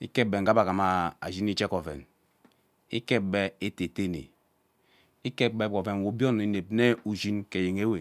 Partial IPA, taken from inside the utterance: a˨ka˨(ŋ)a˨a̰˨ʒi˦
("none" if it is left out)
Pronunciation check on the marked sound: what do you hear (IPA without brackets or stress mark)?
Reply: m